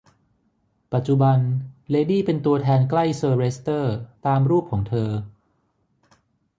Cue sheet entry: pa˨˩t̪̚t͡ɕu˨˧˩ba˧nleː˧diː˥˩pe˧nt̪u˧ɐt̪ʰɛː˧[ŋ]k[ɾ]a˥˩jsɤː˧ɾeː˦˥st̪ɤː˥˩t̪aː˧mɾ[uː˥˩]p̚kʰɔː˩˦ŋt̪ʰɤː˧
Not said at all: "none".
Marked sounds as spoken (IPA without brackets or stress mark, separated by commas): n, l, uː˥˩